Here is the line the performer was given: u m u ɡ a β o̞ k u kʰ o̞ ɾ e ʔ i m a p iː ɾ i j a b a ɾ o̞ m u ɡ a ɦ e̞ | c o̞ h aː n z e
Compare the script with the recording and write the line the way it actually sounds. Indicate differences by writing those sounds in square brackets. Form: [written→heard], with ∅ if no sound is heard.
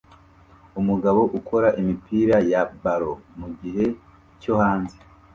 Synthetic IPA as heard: u m u ɡ a β o̞ [k→ʔ] u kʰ o̞ ɾ [e→a] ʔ i m [a→i] p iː ɾ [i→a] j a b a ɾ o̞ m u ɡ [a→i] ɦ e̞ | c o̞ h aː n z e